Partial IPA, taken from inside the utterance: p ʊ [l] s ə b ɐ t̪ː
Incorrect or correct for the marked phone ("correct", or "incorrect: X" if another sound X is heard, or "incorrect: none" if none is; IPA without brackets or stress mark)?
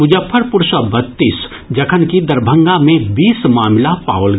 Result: incorrect: ɾ